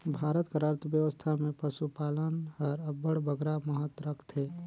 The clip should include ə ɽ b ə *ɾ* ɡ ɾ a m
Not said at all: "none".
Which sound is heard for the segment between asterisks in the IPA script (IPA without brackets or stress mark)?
none